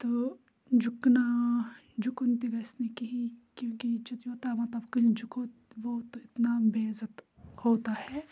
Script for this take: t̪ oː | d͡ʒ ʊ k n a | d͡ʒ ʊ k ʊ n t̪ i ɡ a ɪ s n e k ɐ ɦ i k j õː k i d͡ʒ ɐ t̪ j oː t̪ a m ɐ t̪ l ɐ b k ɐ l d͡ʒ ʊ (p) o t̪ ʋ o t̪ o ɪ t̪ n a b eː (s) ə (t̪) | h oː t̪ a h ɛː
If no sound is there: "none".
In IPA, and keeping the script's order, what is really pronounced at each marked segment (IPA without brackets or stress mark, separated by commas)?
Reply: k, z, t̪